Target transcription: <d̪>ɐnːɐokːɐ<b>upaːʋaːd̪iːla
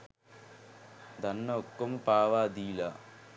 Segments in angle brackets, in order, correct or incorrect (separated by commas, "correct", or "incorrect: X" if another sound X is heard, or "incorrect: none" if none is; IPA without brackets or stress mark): correct, incorrect: m